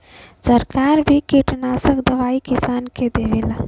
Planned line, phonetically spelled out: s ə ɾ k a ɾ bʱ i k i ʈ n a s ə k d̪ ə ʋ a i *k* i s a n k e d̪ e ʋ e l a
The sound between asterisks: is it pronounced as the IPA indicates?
yes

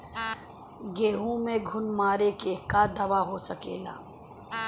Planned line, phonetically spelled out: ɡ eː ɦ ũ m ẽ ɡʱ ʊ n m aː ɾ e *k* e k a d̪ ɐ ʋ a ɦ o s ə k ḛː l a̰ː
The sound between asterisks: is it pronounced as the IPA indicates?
yes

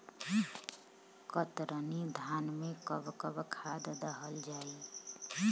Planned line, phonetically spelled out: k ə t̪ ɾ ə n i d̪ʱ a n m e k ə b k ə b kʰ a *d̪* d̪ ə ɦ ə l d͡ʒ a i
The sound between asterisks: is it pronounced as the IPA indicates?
yes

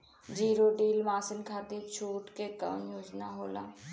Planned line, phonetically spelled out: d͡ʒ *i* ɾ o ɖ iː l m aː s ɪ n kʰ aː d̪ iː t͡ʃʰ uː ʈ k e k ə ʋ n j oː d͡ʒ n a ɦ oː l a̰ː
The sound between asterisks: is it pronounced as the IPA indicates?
no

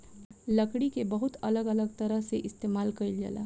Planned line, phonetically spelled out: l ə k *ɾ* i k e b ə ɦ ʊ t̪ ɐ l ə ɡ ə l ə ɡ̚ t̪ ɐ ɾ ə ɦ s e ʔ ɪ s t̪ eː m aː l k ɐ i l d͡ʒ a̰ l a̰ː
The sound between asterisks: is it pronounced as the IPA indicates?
no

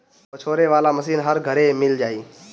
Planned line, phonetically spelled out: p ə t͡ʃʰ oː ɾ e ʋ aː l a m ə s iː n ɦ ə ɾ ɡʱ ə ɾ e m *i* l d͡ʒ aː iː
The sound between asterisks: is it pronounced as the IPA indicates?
no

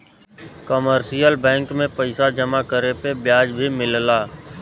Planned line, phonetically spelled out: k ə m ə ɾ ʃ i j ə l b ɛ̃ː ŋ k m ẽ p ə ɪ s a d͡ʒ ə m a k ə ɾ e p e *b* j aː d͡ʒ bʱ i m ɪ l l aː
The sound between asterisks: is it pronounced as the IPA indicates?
yes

